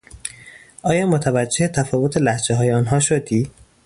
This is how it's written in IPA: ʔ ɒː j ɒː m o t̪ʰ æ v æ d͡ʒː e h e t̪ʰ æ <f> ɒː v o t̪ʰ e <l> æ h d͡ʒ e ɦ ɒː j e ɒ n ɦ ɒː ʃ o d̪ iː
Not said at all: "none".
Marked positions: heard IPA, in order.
f, l

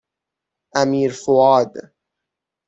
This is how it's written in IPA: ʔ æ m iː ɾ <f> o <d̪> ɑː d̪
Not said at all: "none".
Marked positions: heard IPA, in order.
f, none

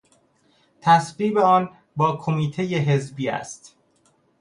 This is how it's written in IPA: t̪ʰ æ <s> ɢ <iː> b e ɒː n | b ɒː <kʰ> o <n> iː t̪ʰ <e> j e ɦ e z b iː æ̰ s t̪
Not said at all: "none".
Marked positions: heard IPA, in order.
s, iː, kʰ, m, e

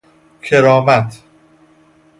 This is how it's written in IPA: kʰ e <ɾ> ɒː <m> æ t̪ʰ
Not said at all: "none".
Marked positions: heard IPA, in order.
ɾ, m

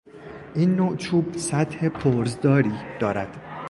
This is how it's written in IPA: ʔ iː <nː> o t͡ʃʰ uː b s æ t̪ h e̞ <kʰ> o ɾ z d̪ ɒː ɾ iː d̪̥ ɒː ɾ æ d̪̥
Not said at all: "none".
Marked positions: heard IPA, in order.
nː, pʰ

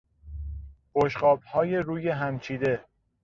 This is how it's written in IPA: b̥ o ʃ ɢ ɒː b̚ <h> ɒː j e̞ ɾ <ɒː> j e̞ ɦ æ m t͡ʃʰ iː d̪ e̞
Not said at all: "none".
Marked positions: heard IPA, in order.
h, uː

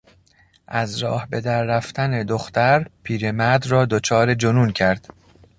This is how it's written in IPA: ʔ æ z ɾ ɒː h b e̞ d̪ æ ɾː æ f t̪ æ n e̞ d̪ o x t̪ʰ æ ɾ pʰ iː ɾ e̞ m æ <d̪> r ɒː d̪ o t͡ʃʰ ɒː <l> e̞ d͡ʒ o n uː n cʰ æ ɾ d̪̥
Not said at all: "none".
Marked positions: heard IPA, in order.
d̪, ɾ

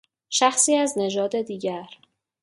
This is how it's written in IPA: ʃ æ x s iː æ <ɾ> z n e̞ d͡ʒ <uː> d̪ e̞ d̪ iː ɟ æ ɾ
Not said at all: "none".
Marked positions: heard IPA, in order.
none, ɒː

